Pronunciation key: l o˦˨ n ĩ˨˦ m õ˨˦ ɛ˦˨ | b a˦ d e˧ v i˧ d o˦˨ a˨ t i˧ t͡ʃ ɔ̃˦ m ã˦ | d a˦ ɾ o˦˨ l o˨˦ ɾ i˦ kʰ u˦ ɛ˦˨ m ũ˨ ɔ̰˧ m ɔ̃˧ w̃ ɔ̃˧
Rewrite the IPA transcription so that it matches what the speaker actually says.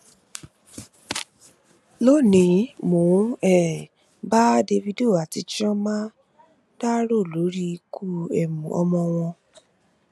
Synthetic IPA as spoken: l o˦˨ n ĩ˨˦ m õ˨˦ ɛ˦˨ | b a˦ d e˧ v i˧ d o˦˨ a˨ t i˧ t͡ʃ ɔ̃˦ m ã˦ | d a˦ ɾ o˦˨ l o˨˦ ɾ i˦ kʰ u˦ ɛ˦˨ m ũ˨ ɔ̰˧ m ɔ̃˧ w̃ ɔ̃˧